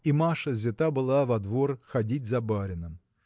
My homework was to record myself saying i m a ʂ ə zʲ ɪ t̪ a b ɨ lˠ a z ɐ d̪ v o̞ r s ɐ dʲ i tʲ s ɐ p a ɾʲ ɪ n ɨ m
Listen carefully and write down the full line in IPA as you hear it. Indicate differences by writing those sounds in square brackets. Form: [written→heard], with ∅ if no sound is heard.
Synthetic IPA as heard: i m a ʂ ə zʲ ɪ t̪ a b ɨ lˠ a [z→v] ɐ d̪ v o̞ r [s→x] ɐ dʲ i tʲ [s→z] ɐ [p→b] a ɾʲ ɪ n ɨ m